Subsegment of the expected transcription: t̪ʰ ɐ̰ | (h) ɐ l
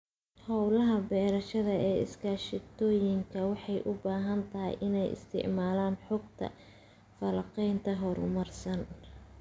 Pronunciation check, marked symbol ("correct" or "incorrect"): incorrect